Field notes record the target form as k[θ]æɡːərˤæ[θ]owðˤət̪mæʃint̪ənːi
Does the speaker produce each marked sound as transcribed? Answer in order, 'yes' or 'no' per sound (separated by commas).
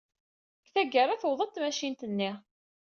yes, yes